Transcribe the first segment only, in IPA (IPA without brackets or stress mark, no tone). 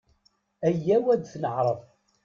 æ